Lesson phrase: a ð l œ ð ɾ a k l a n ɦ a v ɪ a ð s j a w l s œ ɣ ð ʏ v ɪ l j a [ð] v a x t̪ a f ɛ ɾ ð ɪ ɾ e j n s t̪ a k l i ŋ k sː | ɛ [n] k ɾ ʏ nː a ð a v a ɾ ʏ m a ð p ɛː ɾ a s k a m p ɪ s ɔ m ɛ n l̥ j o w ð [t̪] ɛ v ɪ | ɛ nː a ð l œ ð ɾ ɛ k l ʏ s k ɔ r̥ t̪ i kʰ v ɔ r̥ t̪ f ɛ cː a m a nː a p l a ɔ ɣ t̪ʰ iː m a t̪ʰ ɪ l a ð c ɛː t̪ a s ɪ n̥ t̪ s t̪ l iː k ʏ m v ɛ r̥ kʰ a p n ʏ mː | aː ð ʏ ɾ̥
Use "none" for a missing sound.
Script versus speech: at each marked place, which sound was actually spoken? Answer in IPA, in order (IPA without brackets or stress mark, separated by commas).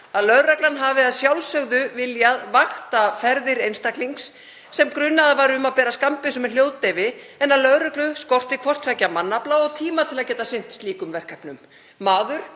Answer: ð, m, t̪